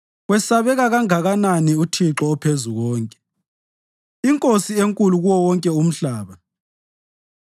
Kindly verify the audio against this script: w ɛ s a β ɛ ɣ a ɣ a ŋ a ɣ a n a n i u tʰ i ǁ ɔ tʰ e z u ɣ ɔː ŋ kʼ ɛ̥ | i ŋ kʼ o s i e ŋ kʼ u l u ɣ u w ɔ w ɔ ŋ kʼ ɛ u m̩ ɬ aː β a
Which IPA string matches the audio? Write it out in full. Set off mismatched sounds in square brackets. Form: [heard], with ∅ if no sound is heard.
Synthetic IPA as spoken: w ɛ s a β ɛ ɣ a ɣ a ŋ a ɣ a n a n i u tʰ i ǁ ɔ [pʰ] e z u ɣ ɔː ŋ kʼ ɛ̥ | i ŋ kʼ o s i e ŋ kʼ u l u ɣ u w ɔ w ɔ ŋ kʼ ɛ u m̩ ɬ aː β a